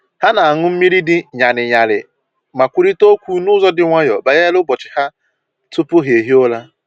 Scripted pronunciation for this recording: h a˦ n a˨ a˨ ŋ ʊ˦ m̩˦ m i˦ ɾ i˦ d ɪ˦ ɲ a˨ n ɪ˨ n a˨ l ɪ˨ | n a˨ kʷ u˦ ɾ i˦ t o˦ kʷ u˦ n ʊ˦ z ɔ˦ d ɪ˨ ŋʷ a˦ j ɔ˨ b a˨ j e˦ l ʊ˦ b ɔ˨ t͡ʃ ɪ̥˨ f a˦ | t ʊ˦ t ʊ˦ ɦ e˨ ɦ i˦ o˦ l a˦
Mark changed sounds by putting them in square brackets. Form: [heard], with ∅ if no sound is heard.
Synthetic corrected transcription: h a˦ n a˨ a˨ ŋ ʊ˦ m̩˦ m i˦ ɾ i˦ d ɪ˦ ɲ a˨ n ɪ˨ [ɲ] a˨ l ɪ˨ | [m] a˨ kʷ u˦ ɾ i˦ t o˦ kʷ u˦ n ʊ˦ z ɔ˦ d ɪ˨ ŋʷ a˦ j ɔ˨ b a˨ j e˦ l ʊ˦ b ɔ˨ t͡ʃ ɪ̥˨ [h] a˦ | t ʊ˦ [p] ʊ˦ ɦ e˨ ɦ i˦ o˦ l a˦